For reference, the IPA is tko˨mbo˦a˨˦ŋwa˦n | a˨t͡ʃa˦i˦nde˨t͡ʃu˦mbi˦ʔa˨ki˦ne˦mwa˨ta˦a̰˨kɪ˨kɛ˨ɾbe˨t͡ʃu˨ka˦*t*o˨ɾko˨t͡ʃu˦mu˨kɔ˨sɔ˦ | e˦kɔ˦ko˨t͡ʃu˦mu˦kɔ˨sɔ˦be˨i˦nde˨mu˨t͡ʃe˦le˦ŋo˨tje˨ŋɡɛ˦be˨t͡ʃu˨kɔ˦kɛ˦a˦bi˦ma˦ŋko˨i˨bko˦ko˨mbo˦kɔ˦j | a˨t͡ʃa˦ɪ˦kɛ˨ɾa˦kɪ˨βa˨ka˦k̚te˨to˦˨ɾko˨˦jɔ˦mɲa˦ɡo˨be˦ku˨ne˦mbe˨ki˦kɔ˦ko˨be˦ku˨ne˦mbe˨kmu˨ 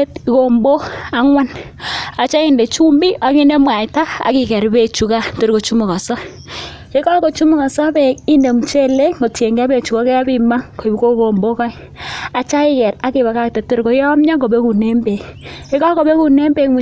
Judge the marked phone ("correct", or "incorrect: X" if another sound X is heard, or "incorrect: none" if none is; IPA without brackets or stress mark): correct